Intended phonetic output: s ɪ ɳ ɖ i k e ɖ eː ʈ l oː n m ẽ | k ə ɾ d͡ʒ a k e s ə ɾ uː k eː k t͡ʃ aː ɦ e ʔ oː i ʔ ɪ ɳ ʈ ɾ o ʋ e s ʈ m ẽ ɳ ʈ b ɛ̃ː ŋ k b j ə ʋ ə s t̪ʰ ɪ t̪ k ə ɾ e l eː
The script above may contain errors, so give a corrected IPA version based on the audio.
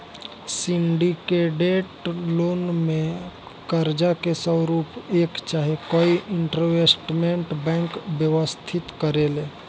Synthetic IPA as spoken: s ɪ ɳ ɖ i k e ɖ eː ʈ l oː n m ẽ | k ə ɾ d͡ʒ a k e s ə ɾ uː p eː k t͡ʃ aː ɦ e k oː i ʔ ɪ ɳ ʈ ɾ o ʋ e s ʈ m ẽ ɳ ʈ b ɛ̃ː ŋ k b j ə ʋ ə s t̪ʰ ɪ t̪ k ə ɾ e l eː